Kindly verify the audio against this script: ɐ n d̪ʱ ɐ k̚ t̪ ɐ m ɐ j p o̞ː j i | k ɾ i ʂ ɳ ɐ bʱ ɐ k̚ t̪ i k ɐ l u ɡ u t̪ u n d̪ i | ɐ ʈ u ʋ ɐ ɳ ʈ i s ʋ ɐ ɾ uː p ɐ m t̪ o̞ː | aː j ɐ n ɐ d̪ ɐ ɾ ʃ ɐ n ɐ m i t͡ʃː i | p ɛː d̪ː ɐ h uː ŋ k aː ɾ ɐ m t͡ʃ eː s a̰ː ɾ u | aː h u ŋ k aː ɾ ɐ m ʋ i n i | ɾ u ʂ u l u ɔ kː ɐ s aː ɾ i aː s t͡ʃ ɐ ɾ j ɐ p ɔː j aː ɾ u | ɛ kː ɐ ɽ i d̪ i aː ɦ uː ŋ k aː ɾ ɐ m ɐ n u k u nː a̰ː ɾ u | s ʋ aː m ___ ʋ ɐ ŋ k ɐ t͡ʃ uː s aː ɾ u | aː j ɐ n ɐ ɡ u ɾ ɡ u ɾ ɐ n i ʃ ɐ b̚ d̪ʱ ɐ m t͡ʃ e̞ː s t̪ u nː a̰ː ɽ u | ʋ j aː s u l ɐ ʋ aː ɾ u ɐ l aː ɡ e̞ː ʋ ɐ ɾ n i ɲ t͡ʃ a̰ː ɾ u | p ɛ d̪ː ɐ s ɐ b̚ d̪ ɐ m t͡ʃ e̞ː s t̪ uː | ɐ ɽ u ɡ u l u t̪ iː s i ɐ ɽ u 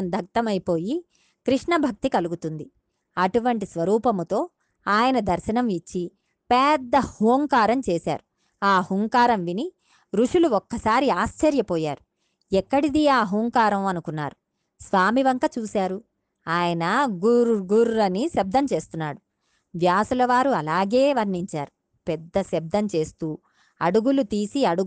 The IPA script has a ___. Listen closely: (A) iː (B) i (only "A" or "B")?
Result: B